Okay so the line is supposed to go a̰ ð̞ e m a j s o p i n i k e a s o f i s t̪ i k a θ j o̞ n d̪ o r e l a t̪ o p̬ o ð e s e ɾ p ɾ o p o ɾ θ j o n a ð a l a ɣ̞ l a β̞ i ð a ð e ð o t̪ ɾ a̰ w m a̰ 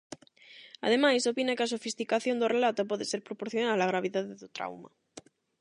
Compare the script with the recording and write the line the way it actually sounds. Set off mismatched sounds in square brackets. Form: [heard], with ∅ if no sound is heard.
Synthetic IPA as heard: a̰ ð̞ e m a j s o p i n [a] k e a s o f i s t̪ i k a θ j o̞ n d̪ o r e l a t̪ o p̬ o ð e s e ɾ p ɾ o p o ɾ θ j o n a ð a l a ɣ̞ [ɾ] a β̞ i ð a ð e ð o t̪ ɾ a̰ w m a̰